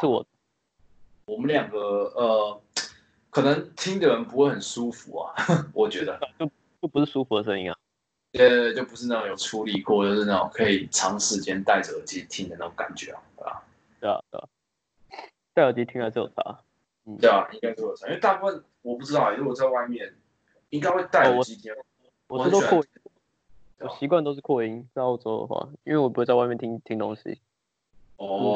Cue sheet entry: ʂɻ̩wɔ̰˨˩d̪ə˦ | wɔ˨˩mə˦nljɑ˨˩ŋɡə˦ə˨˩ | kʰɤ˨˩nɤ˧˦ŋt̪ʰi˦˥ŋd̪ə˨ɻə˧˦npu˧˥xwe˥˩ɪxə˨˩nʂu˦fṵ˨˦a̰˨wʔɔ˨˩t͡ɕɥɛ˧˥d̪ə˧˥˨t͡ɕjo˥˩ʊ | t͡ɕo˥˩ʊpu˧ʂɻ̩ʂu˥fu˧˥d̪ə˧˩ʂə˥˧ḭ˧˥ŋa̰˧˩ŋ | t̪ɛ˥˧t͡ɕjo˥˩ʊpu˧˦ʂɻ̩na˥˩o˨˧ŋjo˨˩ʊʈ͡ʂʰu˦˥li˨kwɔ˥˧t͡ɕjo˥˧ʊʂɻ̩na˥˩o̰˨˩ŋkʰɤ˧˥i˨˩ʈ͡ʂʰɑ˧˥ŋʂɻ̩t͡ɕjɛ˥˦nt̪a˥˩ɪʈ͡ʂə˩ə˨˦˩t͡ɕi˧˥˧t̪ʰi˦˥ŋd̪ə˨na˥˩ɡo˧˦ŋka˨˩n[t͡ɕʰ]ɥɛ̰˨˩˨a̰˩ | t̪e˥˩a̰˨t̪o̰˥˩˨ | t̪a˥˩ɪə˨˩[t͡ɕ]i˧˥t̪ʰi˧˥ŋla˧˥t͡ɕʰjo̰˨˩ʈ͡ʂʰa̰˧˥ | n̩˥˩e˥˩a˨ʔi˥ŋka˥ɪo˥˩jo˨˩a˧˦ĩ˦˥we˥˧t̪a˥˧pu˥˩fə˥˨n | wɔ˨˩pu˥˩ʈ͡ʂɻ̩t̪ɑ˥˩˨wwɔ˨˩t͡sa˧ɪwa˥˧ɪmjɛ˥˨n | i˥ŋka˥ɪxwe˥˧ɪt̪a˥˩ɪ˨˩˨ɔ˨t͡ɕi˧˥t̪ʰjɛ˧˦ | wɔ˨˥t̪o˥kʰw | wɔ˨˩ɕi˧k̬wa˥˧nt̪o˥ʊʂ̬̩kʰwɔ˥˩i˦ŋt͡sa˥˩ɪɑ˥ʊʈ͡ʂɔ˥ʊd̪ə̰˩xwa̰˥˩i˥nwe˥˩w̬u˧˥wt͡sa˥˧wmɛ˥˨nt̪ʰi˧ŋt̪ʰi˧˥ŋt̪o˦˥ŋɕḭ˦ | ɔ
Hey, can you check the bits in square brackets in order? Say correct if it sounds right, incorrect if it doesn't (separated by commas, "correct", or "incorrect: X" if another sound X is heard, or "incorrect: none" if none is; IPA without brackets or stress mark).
incorrect: t͡ɕ, correct